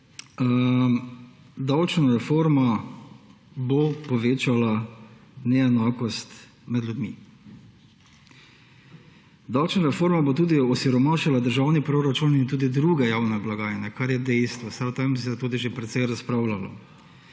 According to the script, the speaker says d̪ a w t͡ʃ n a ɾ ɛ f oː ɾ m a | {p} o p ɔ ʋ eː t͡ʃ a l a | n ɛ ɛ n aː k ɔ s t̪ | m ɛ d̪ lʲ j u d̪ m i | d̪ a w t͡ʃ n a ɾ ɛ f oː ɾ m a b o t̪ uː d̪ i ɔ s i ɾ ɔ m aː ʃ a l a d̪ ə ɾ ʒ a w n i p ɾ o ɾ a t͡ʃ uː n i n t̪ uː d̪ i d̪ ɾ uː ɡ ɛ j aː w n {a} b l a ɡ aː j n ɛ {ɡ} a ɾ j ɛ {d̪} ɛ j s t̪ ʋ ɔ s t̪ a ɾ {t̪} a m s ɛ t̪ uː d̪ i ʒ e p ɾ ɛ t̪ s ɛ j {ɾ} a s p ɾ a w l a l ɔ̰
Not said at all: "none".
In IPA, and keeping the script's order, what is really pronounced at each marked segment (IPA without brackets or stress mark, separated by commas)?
b, ɛ, k, d̪, t̪, ɾ